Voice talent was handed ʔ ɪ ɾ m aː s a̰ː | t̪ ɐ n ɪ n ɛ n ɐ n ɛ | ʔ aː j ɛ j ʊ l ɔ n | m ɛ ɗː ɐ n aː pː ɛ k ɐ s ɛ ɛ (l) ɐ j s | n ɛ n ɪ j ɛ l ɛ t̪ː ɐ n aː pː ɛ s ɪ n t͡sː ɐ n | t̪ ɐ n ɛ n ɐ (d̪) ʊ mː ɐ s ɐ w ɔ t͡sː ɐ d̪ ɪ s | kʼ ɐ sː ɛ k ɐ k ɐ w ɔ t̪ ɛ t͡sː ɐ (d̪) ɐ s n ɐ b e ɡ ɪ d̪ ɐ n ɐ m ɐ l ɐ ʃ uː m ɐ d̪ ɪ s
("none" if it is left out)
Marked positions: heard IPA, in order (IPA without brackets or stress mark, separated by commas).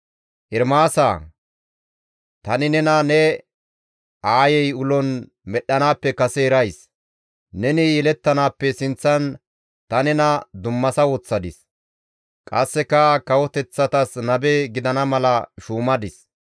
ɾ, d̪, t̪